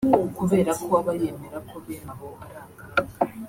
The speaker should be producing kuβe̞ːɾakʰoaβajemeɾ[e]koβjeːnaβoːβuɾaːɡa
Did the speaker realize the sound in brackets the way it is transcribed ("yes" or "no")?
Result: no